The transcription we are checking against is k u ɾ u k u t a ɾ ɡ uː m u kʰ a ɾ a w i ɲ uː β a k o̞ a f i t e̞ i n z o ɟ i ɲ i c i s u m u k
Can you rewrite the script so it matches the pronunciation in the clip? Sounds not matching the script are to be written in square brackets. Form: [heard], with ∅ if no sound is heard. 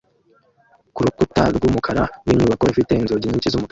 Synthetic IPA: k u ɾ u k u t a ɾ ɡ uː m u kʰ a ɾ a w i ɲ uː β a k o̞ [i] f i t e̞ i n z o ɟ i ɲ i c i [z] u m u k